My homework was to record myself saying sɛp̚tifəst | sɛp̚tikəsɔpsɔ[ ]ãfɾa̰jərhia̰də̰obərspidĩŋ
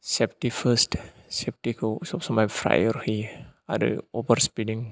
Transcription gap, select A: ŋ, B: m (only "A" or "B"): B